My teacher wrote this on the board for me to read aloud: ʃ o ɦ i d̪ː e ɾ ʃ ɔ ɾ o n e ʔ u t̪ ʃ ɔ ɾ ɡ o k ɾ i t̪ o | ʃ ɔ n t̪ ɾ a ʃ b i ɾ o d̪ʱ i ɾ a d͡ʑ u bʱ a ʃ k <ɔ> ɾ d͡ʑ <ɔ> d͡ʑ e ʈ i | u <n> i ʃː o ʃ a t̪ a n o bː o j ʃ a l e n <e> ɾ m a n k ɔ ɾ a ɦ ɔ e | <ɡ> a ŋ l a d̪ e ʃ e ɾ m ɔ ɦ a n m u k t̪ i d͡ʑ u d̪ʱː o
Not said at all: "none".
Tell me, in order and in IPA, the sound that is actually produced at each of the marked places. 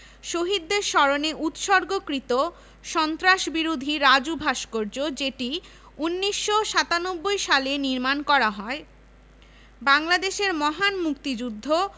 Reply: o, o, nː, i, b

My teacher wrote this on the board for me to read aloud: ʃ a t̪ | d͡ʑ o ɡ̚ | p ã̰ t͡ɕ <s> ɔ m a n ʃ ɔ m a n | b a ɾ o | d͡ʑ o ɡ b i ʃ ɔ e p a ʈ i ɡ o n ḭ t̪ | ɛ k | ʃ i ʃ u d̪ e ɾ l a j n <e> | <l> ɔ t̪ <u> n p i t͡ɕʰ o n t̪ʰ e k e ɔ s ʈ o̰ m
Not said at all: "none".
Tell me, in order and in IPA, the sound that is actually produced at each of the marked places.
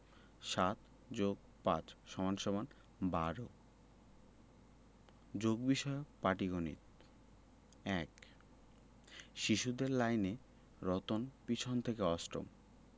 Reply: ʃ, e, ɾ, o

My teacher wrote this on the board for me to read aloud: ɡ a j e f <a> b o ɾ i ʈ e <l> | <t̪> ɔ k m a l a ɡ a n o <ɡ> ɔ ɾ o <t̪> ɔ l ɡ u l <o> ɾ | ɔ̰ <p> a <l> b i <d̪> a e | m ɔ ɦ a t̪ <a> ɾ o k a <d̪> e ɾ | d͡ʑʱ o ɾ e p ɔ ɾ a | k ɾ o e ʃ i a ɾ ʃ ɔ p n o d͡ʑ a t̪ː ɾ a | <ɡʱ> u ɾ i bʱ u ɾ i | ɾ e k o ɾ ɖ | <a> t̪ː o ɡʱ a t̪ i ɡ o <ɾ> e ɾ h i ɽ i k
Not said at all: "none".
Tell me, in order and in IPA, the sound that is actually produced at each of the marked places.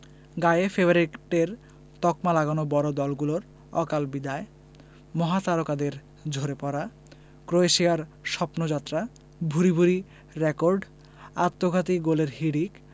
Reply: e, ɾ, t̪, b, d̪, o, k, l, d̪, a, d̪, bʱ, a, l

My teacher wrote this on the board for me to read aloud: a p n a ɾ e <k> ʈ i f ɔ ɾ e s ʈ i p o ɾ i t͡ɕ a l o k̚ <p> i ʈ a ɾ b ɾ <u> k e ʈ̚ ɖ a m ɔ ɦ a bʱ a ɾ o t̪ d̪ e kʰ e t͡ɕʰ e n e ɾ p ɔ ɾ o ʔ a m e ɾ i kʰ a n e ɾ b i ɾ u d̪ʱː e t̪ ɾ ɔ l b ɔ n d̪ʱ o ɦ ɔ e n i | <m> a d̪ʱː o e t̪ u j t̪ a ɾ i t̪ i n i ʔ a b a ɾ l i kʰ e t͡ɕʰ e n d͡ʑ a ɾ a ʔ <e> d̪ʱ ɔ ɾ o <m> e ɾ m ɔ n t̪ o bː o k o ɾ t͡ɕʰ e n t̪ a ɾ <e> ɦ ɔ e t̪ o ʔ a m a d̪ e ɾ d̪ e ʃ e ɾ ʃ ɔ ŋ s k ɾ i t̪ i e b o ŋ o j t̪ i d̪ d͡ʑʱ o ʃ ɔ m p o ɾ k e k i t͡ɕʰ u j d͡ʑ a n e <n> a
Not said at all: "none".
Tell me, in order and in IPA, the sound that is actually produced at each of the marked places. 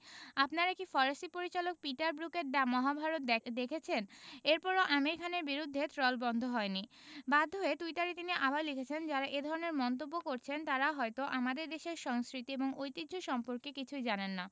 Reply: k, p, u, b, e, n, a, nː

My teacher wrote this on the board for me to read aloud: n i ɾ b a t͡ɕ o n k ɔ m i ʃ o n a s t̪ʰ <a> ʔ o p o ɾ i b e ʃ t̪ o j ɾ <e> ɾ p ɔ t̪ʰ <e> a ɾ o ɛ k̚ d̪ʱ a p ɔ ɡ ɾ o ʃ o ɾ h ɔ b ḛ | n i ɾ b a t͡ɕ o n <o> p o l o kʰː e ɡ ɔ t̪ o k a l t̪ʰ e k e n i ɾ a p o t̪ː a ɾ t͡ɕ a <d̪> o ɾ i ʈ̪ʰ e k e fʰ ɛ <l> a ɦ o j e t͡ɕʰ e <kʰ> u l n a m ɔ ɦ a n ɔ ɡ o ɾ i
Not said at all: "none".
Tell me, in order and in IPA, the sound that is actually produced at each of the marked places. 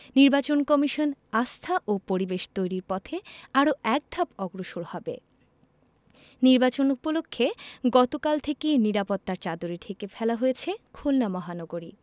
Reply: a, i, e, u, d̪, l, kʰ

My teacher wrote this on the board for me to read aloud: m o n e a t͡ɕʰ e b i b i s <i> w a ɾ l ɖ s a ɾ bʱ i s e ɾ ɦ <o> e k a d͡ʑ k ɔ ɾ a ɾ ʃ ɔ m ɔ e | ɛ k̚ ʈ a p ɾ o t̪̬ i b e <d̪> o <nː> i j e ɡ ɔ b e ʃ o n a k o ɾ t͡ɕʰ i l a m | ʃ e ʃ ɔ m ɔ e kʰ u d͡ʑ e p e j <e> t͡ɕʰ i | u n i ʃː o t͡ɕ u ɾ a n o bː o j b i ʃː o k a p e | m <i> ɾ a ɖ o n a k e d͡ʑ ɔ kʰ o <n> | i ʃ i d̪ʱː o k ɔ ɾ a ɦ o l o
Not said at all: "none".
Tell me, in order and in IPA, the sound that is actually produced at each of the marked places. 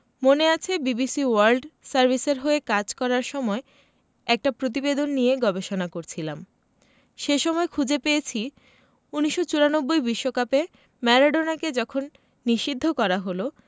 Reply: i, o, d̪, nː, e, ɛ, nː

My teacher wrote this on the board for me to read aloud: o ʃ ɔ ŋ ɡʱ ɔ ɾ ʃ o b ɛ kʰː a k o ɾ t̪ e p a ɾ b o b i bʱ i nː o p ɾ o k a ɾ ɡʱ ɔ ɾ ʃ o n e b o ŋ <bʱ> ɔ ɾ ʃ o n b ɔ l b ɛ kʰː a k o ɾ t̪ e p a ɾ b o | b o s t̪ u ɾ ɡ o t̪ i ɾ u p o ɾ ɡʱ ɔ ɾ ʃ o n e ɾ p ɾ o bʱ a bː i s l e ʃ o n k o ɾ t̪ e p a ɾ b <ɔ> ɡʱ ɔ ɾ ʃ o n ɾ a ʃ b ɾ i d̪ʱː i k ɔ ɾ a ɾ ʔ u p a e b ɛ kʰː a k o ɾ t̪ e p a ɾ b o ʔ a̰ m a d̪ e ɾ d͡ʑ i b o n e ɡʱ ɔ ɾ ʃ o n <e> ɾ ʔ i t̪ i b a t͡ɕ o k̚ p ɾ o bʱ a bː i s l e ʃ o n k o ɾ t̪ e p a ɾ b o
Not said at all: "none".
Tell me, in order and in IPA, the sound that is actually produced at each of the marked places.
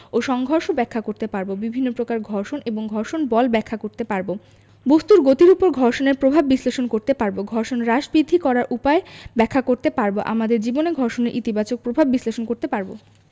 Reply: ɡʱ, o, e

